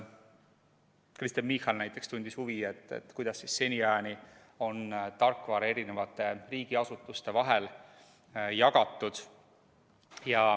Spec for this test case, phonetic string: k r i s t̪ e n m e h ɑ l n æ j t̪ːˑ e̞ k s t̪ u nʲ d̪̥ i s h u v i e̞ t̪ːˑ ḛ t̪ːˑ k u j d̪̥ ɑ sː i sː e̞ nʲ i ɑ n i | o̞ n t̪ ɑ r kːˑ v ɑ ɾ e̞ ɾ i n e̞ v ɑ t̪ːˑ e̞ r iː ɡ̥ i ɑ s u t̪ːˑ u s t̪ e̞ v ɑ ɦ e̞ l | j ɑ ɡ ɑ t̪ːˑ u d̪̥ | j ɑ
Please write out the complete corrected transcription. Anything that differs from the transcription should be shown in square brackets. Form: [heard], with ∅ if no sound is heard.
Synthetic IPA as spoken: k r i s t̪ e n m [i] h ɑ l n æ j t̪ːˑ e̞ k s t̪ u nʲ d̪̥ i s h u v i e̞ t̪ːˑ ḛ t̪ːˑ k u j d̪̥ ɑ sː i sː e̞ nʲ i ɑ n i | o̞ n t̪ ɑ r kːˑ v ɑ ɾ e̞ ɾ i n e̞ v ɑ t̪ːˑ e̞ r iː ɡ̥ i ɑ s u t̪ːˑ u s t̪ e̞ v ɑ ɦ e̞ l | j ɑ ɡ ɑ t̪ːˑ u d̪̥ | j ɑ